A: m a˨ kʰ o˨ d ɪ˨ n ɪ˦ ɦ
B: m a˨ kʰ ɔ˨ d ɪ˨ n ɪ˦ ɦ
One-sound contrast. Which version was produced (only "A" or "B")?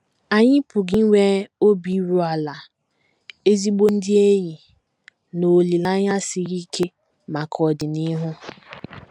B